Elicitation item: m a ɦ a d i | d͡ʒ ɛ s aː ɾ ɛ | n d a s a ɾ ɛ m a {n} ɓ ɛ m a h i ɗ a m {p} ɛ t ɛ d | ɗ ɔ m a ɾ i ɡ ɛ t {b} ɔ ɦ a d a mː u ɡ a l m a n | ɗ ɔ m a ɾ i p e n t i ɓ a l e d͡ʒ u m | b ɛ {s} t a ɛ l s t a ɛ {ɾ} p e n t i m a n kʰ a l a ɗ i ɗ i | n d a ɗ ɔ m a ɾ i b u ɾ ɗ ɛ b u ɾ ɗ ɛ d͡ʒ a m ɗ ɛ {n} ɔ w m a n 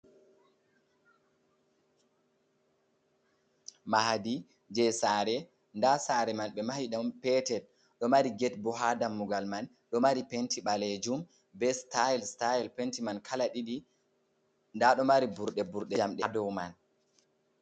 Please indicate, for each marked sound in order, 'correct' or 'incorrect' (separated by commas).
correct, correct, correct, correct, incorrect, incorrect